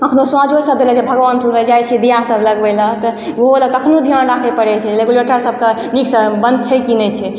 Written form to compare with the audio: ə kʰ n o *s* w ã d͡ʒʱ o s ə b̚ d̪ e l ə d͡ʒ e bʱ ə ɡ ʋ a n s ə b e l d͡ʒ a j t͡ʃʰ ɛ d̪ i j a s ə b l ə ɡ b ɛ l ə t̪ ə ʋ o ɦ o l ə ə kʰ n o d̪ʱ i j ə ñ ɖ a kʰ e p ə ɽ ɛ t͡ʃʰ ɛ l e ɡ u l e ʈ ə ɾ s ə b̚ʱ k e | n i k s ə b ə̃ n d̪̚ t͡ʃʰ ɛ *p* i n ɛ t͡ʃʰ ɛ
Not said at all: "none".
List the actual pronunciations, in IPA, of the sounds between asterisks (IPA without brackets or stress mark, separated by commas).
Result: s, k